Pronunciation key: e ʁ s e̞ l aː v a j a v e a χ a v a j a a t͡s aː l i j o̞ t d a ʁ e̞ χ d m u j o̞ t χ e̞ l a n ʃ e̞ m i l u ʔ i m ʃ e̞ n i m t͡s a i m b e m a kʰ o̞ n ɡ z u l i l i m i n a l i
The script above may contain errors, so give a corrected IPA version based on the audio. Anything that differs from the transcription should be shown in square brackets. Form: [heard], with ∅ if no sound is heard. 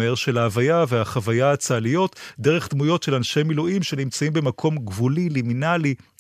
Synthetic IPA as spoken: e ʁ [ʃ] e̞ l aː v a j a v e a χ a v a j a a t͡s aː l i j o̞ t d [e] ʁ e̞ χ d m u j o̞ t [ʃ] e̞ l a n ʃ e̞ m i l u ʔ i m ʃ e̞ n i m t͡s a i m b e m a kʰ o̞ [m] ɡ [v] u l i l i m i n a l i